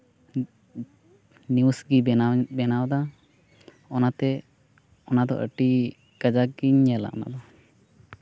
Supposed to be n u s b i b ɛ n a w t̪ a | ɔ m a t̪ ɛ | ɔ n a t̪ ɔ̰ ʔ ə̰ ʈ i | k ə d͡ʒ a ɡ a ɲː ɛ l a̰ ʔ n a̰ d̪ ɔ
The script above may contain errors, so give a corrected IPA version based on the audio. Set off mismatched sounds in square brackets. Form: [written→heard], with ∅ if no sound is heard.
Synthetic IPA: n u s [b→ɡ] i b ɛ n a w [t̪→d̪] a | ɔ [m→n] a t̪ ɛ | ɔ n a [t̪→d̪] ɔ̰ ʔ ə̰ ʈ i | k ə d͡ʒ a ɡ [a→i] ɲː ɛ l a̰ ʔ n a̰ d̪ ɔ